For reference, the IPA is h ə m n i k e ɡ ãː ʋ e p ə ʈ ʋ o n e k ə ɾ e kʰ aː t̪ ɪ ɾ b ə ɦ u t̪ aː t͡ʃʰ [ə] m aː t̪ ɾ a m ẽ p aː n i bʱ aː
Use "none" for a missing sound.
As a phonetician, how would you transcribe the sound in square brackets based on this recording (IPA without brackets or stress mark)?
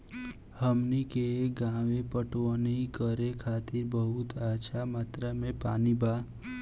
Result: a